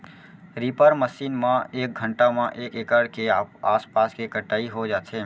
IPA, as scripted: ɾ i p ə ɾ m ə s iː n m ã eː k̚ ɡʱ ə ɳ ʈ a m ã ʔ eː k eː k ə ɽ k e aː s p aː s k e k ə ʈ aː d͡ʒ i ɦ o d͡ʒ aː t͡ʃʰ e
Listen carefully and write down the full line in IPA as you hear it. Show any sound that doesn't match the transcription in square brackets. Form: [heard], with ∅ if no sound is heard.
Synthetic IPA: ɾ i p ə ɾ m ə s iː n m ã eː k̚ ɡʱ ə ɳ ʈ a m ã ʔ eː k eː k ə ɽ k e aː s p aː s k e k ə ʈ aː [∅] i ɦ o d͡ʒ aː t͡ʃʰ e